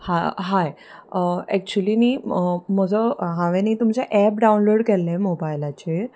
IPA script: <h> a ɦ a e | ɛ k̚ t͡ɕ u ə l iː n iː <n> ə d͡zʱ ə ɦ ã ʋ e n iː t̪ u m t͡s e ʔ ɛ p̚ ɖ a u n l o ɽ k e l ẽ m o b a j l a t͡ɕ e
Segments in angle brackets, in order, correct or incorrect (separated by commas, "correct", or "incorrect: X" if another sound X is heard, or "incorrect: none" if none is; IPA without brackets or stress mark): correct, incorrect: m